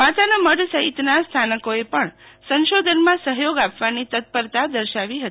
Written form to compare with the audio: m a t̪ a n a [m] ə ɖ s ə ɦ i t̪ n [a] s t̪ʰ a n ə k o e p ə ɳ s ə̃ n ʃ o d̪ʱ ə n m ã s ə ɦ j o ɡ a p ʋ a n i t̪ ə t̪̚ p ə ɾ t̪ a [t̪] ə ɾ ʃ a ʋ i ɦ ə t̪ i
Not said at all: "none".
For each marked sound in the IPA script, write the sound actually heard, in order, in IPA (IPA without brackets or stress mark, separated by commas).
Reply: m, a, d̪